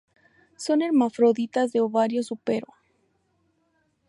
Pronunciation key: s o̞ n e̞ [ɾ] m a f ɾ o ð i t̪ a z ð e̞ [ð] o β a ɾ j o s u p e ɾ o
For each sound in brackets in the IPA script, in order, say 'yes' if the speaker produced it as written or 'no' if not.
yes, no

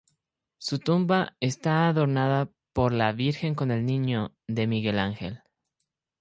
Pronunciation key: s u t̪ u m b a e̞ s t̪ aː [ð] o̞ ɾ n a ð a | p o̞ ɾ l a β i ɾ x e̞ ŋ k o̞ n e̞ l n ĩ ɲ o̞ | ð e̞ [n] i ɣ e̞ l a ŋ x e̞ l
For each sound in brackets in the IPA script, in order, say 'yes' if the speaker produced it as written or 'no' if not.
yes, no

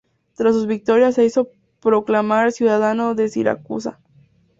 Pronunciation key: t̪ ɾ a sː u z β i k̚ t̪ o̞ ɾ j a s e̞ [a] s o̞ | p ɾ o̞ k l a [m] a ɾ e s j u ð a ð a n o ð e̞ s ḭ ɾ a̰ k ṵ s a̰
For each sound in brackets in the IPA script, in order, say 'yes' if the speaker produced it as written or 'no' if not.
no, yes

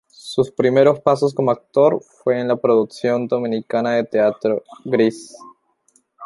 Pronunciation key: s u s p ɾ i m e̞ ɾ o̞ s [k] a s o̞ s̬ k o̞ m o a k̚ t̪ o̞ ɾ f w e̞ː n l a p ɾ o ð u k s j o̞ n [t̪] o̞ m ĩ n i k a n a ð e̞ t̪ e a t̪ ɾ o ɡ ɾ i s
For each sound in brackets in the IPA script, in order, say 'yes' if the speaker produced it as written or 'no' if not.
no, no

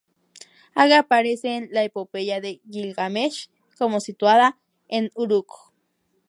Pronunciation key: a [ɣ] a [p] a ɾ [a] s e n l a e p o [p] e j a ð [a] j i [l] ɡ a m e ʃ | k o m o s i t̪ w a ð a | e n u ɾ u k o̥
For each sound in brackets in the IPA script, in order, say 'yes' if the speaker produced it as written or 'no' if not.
yes, yes, no, yes, no, yes

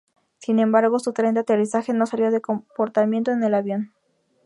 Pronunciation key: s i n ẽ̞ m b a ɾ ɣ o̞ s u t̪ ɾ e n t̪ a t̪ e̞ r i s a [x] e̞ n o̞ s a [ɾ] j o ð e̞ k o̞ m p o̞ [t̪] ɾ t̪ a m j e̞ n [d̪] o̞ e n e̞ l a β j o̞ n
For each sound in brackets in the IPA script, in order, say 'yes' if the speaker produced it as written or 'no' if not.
yes, no, no, no

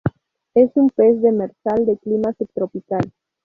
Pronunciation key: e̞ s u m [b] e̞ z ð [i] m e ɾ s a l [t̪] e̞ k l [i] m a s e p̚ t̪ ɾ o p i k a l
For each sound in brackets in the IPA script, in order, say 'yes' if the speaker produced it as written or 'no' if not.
no, no, no, yes

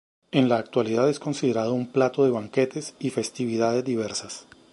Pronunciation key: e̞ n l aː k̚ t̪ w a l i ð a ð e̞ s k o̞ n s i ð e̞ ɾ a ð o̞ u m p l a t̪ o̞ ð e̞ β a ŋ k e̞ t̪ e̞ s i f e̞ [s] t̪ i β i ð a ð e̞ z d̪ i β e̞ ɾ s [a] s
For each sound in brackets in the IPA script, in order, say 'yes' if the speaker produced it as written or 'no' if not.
yes, yes

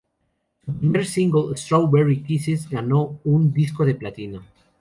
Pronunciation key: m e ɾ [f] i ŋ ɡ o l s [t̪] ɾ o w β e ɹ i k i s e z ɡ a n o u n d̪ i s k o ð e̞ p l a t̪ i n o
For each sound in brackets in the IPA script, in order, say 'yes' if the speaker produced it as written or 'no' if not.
no, yes

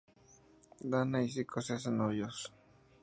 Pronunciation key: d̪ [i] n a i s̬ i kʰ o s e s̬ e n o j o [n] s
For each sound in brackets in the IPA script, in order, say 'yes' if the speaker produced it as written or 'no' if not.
no, no

